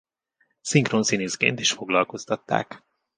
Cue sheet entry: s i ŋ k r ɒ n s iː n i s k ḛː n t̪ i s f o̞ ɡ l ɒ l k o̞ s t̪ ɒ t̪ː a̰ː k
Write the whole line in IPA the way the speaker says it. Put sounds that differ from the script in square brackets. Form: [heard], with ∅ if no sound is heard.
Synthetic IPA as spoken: s i ŋ k r [o] n s [i] n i s k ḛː n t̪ i [ʃ] f o̞ ɡ l ɒ l k o̞ s t̪ ɒ t̪ː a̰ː k